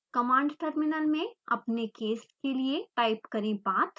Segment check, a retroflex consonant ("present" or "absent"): present